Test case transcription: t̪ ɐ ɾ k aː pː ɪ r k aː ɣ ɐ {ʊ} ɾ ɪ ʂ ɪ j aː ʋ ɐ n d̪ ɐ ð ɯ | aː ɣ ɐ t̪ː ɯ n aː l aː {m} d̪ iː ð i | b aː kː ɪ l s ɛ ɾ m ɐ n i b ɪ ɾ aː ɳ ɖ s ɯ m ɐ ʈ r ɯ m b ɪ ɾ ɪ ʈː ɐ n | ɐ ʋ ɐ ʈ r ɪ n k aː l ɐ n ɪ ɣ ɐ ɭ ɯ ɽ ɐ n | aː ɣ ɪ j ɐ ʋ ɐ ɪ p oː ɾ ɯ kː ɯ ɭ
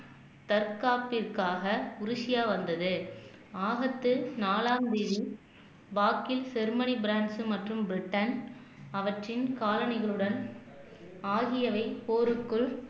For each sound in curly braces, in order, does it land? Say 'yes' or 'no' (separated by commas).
yes, yes